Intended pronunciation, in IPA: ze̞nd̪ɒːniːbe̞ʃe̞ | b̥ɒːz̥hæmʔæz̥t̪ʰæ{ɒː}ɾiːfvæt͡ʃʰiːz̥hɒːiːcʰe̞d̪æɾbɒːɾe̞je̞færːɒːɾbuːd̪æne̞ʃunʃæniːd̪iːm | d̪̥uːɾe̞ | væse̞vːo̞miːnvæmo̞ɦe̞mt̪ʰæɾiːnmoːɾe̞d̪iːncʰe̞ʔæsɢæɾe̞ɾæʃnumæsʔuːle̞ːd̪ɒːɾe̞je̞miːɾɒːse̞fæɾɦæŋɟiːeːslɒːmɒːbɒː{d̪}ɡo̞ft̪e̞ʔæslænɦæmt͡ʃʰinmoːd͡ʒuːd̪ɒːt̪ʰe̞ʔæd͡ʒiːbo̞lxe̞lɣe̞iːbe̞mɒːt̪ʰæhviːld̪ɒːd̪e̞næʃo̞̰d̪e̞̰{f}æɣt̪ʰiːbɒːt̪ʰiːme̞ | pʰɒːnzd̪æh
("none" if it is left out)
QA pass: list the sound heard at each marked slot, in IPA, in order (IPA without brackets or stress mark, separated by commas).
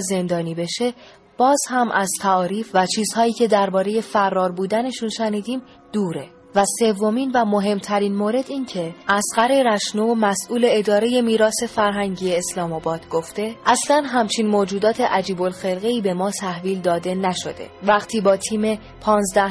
ɒː, d̪, v